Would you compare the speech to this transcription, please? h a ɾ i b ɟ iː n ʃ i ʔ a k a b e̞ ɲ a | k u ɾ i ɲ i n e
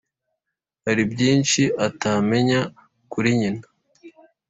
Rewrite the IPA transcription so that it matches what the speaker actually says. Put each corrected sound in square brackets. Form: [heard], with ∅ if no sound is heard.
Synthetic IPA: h a ɾ i b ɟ iː n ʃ i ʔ a [t] a [m] e̞ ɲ a | k u ɾ i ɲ i n [a]